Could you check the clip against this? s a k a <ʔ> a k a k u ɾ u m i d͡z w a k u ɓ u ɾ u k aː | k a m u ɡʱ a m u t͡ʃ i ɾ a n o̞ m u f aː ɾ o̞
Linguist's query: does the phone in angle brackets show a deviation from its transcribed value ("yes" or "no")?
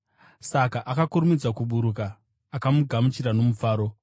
no